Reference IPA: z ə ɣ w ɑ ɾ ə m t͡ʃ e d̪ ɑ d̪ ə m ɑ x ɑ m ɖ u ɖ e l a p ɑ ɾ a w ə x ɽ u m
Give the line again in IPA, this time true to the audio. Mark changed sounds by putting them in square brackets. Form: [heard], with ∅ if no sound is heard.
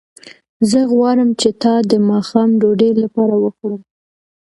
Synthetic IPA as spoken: z ə ɣ w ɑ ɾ ə m t͡ʃ e [t̪] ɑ d̪ ə m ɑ x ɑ m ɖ [o] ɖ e l a p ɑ ɾ a w ə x ɽ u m